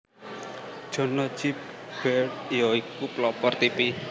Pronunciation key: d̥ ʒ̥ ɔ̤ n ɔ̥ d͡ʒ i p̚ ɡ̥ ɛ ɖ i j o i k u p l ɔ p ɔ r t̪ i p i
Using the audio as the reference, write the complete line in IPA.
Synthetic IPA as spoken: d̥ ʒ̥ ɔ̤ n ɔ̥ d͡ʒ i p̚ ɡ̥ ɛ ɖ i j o i k u p l ɔ p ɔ r t̪ i p i